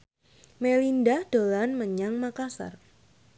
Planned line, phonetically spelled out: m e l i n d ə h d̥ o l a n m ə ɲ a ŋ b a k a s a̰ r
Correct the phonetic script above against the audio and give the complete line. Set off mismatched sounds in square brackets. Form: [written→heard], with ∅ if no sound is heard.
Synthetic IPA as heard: m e l i n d [ə→a] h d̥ o l a n m ə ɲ a ŋ [b→m] a k a s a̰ r

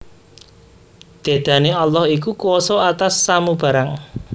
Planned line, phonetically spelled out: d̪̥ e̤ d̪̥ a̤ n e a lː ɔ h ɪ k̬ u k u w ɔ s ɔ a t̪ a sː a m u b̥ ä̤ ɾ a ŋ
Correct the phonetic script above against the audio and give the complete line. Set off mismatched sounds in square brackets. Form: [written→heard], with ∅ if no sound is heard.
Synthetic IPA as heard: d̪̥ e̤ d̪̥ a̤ n e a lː ɔ h [ɪ→i] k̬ u k u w ɔ s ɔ a t̪ a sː a m u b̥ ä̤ ɾ a ŋ

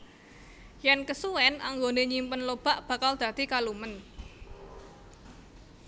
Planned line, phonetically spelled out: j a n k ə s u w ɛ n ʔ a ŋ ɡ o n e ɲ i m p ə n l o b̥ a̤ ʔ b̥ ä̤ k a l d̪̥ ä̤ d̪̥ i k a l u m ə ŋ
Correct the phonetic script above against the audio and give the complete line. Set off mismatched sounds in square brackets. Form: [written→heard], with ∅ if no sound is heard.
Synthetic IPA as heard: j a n k ə s u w ɛ n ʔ a ŋ ɡ o n e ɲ i m p ə n l o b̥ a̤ ʔ b̥ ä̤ k a l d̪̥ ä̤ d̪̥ i k a l u m ə [ŋ→n]

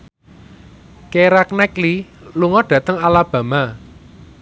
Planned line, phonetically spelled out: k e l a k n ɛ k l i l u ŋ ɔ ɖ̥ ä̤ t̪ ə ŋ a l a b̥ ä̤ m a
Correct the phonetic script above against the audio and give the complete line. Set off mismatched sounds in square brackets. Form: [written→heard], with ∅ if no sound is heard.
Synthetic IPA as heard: k e [l→ɾ] a k n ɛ k l i l u ŋ ɔ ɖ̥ ä̤ t̪ ə ŋ a l a b̥ ä̤ m a

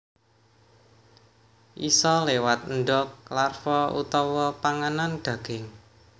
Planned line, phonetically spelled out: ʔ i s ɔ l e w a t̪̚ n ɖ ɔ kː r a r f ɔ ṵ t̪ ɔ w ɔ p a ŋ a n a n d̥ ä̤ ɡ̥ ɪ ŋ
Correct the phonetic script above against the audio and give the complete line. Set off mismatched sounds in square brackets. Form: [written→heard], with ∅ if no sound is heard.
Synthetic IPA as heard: ʔ i s ɔ l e w a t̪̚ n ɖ ɔ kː [r→l] a r f ɔ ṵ t̪ ɔ w ɔ p a ŋ a n a n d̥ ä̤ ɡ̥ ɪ ŋ

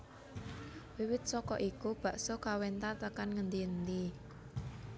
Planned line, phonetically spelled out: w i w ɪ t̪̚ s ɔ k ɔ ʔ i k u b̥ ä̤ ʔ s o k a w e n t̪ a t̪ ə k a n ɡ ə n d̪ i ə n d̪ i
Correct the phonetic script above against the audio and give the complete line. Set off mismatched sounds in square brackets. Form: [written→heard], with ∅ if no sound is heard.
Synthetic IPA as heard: w i w ɪ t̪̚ s ɔ k ɔ ʔ i k u b̥ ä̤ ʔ s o k a w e n t̪ a t̪ ə k a n [ɡ→ŋ] ə n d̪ i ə n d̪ i

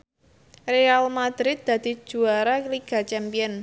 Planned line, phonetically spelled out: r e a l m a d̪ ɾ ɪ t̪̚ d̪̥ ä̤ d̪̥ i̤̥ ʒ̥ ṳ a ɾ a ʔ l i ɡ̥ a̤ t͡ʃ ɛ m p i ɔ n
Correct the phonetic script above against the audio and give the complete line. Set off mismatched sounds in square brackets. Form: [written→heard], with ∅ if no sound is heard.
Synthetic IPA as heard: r e a l m a d̪ ɾ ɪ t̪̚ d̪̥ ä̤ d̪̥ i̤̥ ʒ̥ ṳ a ɾ a [ʔ→k] l i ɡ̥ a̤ t͡ʃ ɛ m p i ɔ n

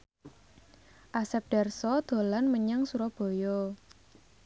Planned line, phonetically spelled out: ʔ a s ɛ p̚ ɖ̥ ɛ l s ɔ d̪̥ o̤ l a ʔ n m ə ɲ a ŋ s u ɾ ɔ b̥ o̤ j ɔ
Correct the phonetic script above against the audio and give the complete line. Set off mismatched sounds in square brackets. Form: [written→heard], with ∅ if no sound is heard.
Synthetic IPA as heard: ʔ a s ɛ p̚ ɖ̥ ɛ [l→r] s ɔ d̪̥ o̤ l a [ʔ→∅] n m ə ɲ a ŋ s u ɾ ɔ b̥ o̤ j ɔ

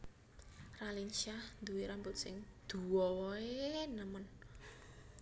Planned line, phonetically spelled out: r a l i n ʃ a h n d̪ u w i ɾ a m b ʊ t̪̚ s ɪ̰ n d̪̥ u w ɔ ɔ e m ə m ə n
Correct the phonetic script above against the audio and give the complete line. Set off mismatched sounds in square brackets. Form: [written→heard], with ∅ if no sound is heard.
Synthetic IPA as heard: r a l i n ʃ a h n d̪ u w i ɾ a m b ʊ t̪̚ s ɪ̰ [n→ŋ] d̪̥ u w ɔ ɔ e [m→n] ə m ə n

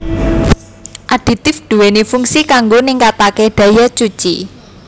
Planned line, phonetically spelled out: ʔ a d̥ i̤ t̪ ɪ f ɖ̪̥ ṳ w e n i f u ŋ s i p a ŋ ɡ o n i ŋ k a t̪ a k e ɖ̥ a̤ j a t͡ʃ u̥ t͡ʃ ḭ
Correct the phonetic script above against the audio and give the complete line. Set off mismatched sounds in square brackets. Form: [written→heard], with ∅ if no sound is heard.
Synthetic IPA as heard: ʔ a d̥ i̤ t̪ ɪ f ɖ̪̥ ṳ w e n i f u ŋ s i [p→k] a ŋ ɡ o n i ŋ k a t̪ a k e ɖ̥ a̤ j a t͡ʃ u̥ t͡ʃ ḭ

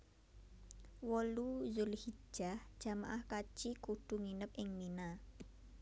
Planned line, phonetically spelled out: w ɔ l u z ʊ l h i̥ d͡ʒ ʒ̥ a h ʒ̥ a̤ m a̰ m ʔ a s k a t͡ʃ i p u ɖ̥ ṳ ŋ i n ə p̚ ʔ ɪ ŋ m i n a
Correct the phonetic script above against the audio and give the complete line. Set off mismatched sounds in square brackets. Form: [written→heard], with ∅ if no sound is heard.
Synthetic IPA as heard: w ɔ l u z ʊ l h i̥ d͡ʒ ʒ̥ a h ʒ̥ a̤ m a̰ [m→∅] ʔ a [s→h] k a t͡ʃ i [p→k] u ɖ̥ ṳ ŋ i n ə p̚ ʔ ɪ ŋ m i n a

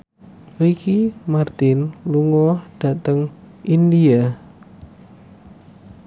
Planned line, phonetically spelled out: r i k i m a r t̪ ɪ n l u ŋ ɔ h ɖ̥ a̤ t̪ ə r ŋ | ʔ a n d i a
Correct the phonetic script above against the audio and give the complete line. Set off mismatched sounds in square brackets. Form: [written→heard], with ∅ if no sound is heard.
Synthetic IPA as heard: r i k i m a r t̪ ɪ n l u ŋ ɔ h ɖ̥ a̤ t̪ ə [r→∅] ŋ | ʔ [a→i] n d i a

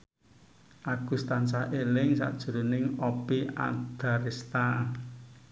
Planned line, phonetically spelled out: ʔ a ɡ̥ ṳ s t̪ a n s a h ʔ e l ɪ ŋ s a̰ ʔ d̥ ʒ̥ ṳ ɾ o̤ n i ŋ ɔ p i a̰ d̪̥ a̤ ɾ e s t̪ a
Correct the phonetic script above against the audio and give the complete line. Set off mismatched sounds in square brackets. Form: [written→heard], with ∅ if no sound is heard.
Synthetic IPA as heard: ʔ a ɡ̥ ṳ s t̪ a n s a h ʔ e l ɪ ŋ s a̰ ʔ d̥ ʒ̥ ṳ ɾ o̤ n [i→ɪ] ŋ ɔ p i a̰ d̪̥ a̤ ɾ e s t̪ a

